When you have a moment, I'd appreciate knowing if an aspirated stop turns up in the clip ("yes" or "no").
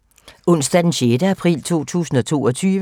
yes